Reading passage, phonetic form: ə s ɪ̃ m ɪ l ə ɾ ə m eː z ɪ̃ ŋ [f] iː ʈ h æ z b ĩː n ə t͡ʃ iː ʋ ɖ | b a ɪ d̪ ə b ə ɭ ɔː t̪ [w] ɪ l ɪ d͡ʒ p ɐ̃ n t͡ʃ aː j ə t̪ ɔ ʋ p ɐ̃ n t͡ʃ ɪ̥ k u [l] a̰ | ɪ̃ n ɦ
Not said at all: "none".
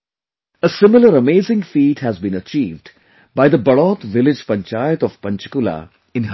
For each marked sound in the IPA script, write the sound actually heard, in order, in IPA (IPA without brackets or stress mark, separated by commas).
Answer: f, ʋ, l